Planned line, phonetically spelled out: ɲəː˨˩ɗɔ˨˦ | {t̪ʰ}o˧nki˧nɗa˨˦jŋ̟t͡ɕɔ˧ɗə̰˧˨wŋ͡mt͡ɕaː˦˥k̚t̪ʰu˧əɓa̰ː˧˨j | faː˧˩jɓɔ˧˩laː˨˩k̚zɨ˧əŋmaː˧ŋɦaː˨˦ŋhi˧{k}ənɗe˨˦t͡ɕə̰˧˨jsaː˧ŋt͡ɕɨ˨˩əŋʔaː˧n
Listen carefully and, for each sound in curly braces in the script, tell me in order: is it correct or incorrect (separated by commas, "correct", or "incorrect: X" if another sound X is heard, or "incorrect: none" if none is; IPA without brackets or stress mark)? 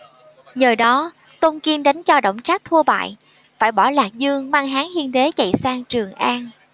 incorrect: t̪, incorrect: none